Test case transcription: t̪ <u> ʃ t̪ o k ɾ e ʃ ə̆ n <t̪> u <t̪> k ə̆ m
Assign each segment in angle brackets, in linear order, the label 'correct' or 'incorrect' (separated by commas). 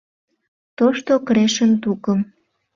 incorrect, correct, incorrect